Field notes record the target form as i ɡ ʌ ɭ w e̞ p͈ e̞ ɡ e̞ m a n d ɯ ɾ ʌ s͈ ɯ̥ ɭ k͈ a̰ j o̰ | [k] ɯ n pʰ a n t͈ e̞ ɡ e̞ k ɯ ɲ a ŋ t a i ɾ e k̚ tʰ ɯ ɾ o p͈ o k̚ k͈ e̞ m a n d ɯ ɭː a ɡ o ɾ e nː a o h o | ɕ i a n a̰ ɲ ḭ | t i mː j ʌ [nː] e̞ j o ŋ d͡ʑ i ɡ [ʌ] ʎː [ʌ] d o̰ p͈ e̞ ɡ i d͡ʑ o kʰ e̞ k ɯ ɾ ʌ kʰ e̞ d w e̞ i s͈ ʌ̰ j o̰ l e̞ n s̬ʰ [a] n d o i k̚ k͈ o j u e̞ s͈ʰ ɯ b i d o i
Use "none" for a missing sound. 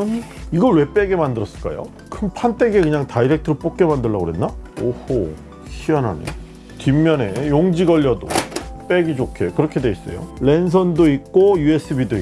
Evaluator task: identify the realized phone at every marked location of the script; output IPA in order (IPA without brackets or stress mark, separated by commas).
kʰ, n, ʌ, ʌ, ʌ